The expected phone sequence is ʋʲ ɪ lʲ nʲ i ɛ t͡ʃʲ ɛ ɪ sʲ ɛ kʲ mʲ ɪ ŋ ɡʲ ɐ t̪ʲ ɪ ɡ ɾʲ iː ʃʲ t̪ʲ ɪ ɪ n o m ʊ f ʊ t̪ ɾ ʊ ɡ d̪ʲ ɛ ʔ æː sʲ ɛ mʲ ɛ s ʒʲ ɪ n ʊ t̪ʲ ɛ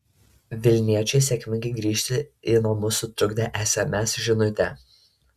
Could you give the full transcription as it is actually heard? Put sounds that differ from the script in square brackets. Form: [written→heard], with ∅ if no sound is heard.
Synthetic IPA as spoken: ʋʲ ɪ lʲ nʲ i ɛ t͡ʃʲ ɛ ɪ sʲ ɛ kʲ mʲ ɪ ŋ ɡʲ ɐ [t̪ʲ→∅] ɪ ɡ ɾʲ iː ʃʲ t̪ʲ ɪ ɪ n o m ʊ [f→s] ʊ t̪ ɾ ʊ ɡ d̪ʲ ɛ ʔ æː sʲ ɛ mʲ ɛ s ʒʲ ɪ n ʊ t̪ʲ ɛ

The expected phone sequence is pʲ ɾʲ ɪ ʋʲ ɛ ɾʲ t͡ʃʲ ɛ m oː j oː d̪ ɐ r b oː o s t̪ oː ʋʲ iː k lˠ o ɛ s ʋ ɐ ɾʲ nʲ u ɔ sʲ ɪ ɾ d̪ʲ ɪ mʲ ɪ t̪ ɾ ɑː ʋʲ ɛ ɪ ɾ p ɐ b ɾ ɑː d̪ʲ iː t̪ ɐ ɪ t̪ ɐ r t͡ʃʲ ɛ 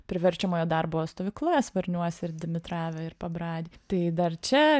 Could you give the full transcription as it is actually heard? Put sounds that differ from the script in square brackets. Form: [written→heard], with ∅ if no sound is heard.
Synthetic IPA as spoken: pʲ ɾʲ ɪ ʋʲ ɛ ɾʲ t͡ʃʲ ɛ m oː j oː d̪ ɐ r b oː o s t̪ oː ʋʲ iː k lˠ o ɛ s ʋ ɐ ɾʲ nʲ u ɔ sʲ ɪ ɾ d̪ʲ ɪ mʲ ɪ t̪ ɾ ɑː ʋʲ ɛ ɪ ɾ p ɐ b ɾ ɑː d̪ʲ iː t̪ ɐ ɪ [t̪→d̪] ɐ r t͡ʃʲ ɛ

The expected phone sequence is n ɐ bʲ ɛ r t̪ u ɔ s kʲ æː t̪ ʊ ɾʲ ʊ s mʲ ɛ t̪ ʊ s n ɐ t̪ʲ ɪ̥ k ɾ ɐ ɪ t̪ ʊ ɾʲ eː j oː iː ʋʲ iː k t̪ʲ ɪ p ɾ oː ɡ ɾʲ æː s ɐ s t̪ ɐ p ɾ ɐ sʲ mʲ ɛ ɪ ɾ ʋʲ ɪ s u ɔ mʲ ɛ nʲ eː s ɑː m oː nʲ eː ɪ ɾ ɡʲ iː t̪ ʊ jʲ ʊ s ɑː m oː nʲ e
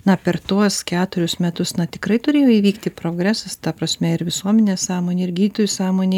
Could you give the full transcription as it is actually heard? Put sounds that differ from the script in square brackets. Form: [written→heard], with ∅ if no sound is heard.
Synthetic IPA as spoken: n ɐ [bʲ→pʲ] ɛ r t̪ u ɔ s kʲ æː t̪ ʊ ɾʲ ʊ s mʲ ɛ t̪ ʊ s n ɐ t̪ʲ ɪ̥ k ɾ ɐ ɪ t̪ ʊ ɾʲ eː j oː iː ʋʲ iː k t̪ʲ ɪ p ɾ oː ɡ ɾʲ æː s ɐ s t̪ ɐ p ɾ ɐ sʲ mʲ ɛ ɪ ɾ ʋʲ ɪ s u ɔ mʲ ɛ nʲ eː s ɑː m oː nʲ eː ɪ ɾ ɡʲ iː t̪ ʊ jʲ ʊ s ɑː m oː nʲ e

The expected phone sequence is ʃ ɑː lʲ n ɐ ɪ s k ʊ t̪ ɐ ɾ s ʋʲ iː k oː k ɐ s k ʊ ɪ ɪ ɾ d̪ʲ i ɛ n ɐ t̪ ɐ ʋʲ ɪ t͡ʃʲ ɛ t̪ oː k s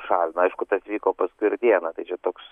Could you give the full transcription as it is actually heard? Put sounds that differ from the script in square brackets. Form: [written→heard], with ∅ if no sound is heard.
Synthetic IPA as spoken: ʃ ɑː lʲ n ɐ ɪ [s→ʃ] k ʊ t̪ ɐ [ɾ→∅] s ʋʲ iː k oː [k→p] ɐ s k ʊ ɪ ɪ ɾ d̪ʲ i ɛ n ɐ t̪ ɐ [ʋʲ→∅] ɪ t͡ʃʲ ɛ t̪ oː k s

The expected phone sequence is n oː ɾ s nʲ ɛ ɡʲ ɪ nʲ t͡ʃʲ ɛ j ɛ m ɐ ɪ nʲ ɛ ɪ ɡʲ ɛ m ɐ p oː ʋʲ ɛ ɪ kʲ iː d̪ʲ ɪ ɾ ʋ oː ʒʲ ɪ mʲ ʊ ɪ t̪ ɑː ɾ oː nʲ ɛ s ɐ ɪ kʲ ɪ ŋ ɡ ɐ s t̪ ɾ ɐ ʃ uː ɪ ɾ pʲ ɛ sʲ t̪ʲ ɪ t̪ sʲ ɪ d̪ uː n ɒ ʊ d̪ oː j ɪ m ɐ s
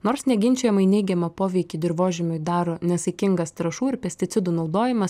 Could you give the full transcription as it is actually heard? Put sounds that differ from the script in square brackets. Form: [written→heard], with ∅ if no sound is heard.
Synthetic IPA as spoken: n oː ɾ s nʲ ɛ ɡʲ ɪ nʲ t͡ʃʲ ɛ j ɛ m ɐ ɪ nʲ ɛ ɪ ɡʲ ɛ m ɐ p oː ʋʲ ɛ ɪ kʲ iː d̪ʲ ɪ ɾ ʋ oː ʒʲ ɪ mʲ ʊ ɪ [t̪→d̪] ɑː ɾ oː nʲ ɛ s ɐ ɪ kʲ ɪ ŋ ɡ ɐ s t̪ ɾ ɐ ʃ uː ɪ ɾ pʲ ɛ sʲ t̪ʲ ɪ t̪ sʲ ɪ d̪ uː n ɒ ʊ d̪ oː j ɪ m ɐ s

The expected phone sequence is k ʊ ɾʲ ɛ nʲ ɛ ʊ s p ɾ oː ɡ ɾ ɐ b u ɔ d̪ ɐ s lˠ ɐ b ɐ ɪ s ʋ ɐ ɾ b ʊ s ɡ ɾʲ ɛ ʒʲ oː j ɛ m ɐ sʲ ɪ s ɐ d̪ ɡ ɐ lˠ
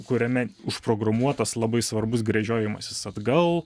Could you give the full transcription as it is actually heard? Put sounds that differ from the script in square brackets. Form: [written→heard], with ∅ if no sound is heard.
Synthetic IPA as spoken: k ʊ ɾʲ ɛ [nʲ→mʲ] ɛ ʊ [s→ʃ] p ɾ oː ɡ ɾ ɐ [b→m] u ɔ [d̪→t̪] ɐ s lˠ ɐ b ɐ ɪ s ʋ ɐ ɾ b ʊ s ɡ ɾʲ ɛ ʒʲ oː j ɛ m ɐ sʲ ɪ s ɐ d̪ ɡ ɐ lˠ

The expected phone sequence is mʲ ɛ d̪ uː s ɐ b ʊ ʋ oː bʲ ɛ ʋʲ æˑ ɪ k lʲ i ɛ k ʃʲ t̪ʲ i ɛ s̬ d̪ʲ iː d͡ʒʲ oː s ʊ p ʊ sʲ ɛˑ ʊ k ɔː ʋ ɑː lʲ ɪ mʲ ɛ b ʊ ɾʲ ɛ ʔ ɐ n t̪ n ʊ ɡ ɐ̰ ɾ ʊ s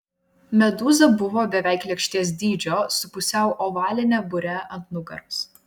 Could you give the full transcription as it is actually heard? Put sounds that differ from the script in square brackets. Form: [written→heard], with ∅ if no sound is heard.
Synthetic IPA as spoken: mʲ ɛ d̪ uː [s→z] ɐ b ʊ ʋ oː bʲ ɛ ʋʲ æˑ ɪ k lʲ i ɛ k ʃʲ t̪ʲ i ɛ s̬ d̪ʲ iː d͡ʒʲ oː s ʊ p ʊ sʲ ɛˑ ʊ [k→ʔ] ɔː ʋ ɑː lʲ ɪ [mʲ→nʲ] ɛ b ʊ ɾʲ ɛ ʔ ɐ n t̪ n ʊ ɡ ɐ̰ ɾ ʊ s

